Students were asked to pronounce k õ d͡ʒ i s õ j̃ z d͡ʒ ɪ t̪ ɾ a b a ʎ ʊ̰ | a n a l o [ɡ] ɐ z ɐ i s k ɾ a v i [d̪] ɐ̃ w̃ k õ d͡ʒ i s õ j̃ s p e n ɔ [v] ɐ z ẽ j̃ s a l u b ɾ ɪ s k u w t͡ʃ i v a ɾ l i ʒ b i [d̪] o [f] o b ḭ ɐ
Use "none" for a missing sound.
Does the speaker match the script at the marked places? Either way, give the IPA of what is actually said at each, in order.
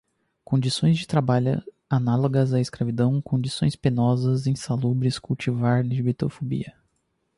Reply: ɡ, d̪, z, t̪, f

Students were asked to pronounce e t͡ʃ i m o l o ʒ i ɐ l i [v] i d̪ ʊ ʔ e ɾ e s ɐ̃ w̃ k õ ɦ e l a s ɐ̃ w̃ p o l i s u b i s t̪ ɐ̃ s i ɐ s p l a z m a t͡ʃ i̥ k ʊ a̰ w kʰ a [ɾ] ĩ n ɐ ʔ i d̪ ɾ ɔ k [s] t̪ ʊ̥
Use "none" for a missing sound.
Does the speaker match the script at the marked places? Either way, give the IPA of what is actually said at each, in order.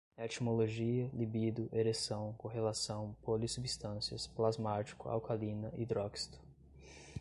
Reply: b, l, s

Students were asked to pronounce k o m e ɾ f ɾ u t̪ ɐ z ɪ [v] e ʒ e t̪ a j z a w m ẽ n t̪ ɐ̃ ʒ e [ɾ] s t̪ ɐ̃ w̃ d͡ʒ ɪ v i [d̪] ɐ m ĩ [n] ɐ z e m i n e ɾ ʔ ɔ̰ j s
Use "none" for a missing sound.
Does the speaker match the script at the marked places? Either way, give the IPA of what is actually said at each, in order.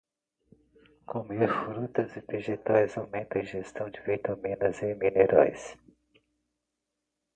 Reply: v, none, t̪, n

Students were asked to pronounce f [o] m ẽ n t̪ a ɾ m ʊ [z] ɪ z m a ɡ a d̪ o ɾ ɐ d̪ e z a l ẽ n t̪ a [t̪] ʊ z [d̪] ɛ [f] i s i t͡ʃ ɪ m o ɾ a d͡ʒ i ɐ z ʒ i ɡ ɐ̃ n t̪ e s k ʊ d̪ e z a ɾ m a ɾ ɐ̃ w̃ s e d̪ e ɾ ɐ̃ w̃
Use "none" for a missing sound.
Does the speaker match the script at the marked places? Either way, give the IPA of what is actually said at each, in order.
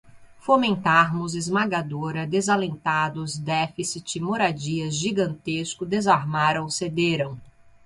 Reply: o, z, d̪, d̪, f

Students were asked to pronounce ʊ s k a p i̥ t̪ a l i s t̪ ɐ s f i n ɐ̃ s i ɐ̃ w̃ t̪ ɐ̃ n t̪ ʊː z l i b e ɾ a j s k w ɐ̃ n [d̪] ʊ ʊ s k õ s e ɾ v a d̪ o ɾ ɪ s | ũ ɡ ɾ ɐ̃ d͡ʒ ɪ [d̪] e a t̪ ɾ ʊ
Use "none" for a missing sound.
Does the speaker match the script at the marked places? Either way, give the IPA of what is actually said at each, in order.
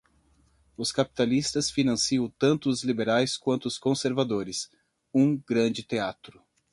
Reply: t̪, t̪

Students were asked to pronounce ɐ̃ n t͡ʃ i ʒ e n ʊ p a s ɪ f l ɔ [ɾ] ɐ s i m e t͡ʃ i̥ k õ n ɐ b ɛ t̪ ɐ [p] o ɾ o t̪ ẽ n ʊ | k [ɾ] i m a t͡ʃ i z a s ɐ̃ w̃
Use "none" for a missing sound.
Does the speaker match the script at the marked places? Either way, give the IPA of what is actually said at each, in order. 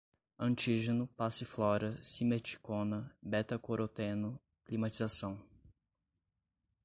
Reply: ɾ, k, l

